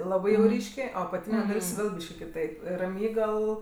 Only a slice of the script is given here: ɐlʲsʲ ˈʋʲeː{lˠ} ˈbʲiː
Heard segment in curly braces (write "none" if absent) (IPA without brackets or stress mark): lˠ